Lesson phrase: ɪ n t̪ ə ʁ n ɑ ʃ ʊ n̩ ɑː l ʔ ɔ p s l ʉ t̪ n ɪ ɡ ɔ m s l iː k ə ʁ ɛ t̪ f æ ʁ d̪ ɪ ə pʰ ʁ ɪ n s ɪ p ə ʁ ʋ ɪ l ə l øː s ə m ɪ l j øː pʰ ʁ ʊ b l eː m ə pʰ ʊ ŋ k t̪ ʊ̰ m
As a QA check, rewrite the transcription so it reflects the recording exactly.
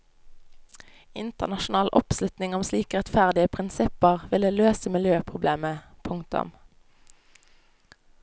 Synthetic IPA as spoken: ɪ n t̪ ə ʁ n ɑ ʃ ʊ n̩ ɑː l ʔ ɔ p s l ʉ t̪ n ɪ ŋ ɔ m s l iː k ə ʁ ɛ t̪ f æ ʁ d̪ ɪ ə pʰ ʁ ɪ n s ɪ p ə ʁ ʋ ɪ l ə l øː s ə m ɪ l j øː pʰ ʁ ʊ b l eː m ə pʰ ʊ ŋ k t̪ ʊ̰ m